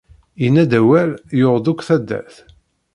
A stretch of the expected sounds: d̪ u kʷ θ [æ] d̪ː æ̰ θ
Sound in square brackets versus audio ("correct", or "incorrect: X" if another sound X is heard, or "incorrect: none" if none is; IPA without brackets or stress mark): correct